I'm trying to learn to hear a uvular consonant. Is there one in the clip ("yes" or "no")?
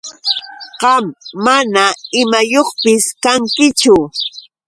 yes